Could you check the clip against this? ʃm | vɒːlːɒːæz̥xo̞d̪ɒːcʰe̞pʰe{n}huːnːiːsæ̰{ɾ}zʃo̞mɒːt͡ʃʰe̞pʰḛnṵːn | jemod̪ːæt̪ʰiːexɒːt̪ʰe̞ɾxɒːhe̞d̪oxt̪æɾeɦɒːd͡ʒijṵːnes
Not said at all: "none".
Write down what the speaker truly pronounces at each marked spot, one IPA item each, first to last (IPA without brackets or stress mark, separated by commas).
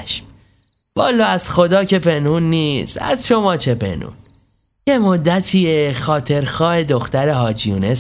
n, none